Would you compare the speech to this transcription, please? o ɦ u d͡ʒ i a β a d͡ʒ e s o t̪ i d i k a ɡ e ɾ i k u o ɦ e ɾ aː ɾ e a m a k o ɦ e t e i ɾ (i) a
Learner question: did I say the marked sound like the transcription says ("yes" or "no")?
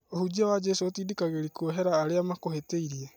yes